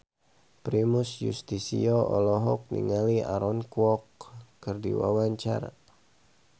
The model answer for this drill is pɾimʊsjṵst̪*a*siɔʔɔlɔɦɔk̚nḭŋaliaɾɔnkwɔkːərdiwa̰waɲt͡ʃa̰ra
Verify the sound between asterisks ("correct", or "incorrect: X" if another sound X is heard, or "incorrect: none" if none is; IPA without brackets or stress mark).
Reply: incorrect: i